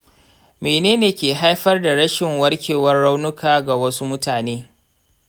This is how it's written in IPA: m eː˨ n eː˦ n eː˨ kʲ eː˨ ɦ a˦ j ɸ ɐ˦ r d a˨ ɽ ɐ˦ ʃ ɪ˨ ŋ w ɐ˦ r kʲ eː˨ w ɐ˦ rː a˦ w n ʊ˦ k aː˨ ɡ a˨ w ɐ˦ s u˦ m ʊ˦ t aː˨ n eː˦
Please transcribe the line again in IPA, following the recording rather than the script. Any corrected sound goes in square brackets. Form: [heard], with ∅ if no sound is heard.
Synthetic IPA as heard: m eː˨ n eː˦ n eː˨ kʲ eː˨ ɦ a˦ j ɸ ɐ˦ r d a˨ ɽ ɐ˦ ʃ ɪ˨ ŋ w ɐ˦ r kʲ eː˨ w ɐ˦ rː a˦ w n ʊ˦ k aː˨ ɡ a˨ w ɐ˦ s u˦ m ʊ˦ t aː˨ n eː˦